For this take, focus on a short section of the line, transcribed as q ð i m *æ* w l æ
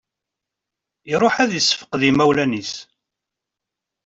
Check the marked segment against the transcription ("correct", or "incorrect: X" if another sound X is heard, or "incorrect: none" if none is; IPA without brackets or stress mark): correct